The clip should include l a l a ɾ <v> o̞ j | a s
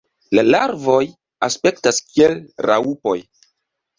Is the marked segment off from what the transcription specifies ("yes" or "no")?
no